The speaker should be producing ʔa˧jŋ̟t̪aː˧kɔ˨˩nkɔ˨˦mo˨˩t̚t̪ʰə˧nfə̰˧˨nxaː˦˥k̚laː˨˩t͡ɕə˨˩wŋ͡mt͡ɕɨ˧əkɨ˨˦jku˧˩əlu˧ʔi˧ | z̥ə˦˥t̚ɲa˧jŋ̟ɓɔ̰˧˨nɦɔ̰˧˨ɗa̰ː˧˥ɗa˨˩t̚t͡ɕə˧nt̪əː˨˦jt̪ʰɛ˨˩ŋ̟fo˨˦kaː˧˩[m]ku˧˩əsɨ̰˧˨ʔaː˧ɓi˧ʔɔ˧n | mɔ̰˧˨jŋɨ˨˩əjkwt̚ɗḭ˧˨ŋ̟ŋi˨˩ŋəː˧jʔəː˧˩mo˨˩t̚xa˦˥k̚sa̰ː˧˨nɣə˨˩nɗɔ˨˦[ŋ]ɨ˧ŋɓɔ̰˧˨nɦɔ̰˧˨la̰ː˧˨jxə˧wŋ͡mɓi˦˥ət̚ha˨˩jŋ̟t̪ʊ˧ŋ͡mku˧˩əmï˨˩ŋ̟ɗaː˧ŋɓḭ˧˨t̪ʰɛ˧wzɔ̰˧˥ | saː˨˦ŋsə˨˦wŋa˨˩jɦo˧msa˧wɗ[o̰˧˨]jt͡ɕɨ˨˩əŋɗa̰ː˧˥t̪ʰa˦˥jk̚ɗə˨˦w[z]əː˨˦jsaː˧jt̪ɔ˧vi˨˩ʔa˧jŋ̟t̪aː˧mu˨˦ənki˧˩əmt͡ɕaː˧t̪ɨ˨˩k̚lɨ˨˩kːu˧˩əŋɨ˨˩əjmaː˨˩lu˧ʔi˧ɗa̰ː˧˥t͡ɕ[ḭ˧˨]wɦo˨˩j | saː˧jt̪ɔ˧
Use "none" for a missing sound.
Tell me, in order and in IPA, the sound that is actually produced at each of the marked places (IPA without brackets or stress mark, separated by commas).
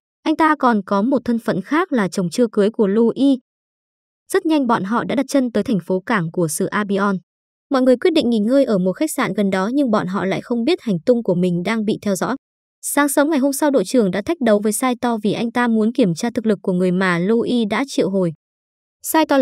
ŋ, ɲ, o̰˧˨, v, ḭ˧˨